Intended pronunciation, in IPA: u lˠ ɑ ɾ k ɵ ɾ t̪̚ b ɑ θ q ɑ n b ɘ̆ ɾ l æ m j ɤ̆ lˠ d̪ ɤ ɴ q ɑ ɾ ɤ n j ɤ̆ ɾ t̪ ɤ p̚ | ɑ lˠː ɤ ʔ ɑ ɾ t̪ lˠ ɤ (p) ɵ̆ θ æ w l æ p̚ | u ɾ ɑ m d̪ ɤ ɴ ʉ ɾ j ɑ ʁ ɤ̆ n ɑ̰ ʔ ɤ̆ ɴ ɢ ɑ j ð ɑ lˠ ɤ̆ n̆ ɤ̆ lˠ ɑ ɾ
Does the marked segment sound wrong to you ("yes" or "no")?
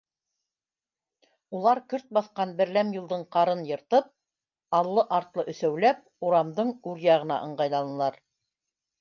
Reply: yes